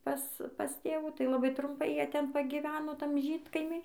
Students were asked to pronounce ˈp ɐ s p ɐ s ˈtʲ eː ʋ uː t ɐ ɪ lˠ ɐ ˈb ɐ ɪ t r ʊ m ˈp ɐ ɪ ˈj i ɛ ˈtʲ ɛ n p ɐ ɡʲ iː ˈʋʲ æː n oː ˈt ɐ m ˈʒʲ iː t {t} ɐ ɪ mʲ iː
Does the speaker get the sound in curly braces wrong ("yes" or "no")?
yes